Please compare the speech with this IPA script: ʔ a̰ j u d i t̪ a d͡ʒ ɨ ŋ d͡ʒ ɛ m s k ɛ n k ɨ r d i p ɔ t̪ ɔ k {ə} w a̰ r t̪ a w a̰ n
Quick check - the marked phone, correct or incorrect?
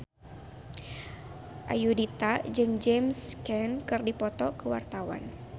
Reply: correct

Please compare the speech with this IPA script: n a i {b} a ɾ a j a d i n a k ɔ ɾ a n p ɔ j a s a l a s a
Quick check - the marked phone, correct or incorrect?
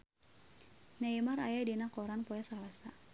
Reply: incorrect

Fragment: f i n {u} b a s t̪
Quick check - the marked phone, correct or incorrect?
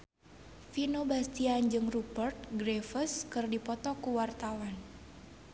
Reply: incorrect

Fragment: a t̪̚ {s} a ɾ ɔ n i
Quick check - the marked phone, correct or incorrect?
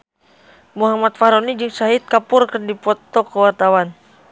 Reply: incorrect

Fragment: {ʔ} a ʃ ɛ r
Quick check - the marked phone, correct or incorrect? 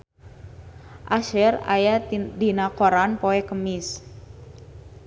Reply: correct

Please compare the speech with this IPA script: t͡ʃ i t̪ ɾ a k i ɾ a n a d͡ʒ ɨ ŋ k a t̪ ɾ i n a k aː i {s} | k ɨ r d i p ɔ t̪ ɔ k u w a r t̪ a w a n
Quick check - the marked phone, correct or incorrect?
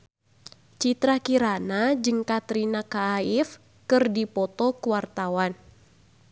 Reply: incorrect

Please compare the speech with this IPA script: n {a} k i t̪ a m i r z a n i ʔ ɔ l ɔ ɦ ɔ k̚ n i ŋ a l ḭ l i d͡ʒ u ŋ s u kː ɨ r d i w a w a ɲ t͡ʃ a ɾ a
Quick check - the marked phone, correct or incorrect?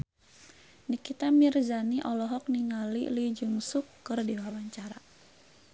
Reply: incorrect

